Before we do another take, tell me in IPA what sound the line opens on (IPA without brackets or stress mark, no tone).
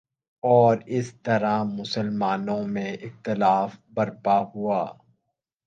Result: ɔː